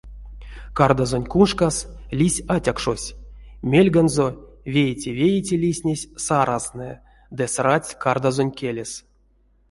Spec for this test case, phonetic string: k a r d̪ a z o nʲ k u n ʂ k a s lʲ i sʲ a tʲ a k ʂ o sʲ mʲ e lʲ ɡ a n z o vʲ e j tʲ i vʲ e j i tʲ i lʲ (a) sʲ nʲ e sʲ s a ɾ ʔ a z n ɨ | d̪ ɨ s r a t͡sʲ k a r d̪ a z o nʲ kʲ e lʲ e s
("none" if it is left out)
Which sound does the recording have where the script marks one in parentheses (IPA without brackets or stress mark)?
i